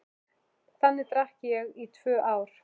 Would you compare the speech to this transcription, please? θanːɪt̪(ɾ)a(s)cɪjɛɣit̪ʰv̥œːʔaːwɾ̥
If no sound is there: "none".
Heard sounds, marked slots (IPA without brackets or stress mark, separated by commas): ɾ, h